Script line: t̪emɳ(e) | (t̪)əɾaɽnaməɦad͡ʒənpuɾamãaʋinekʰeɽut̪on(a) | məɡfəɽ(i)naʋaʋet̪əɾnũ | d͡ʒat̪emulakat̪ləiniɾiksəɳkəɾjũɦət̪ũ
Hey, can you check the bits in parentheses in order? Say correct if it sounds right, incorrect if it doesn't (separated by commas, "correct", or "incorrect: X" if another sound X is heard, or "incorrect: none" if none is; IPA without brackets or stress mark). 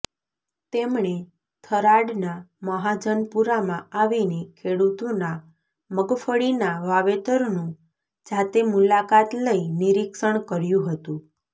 correct, incorrect: t̪ʰ, correct, correct